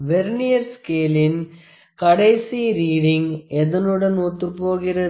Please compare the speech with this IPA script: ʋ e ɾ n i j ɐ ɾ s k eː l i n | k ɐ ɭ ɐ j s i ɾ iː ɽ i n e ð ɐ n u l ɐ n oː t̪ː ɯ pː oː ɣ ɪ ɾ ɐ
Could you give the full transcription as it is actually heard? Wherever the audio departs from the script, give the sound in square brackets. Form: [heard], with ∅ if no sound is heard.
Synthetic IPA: ʋ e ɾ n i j ɐ ɾ s k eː l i n | k ɐ [ɽ] ɐ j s i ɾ iː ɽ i [ŋ] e ð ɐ n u [ɽ] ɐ n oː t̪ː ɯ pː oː ɣ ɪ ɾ ɐ